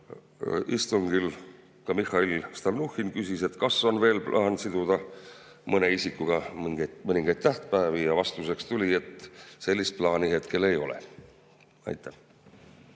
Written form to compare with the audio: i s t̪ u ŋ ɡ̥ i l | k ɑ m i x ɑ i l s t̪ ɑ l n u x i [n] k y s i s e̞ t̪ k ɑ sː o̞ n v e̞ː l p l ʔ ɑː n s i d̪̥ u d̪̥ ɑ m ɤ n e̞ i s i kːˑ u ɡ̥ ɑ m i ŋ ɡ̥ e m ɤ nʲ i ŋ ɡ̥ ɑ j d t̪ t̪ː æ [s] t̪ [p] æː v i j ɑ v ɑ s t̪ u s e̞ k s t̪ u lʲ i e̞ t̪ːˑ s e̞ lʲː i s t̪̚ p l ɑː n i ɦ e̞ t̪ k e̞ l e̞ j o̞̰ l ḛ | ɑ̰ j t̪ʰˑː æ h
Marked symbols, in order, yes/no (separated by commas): yes, no, yes